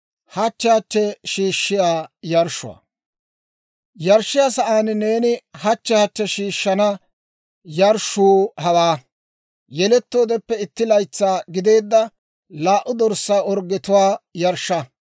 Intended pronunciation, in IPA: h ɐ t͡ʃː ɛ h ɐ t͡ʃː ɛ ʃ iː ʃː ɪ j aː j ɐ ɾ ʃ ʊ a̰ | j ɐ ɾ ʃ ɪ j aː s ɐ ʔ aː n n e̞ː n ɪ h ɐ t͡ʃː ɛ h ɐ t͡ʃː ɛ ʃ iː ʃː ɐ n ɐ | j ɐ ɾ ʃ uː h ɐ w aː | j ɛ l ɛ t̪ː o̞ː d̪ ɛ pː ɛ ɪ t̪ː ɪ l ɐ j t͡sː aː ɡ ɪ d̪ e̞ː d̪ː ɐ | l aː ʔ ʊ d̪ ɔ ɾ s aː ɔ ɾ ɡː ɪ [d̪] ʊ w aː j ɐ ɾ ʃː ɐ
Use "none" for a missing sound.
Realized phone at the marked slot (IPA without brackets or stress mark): t̪